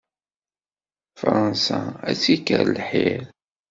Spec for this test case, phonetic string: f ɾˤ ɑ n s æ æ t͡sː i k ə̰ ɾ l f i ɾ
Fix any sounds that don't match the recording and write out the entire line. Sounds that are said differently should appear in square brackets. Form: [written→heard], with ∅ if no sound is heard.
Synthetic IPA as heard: f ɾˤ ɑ n s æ æ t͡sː i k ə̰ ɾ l [f→ħ] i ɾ